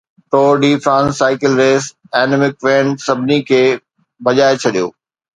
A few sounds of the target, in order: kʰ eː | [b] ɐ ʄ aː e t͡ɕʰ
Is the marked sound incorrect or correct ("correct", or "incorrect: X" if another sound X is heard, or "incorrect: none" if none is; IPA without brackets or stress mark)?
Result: correct